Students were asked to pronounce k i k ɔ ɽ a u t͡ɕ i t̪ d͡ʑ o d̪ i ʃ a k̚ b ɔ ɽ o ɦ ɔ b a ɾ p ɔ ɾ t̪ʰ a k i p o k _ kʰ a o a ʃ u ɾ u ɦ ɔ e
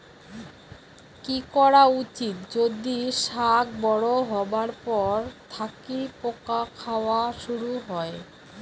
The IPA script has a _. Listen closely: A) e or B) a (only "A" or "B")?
B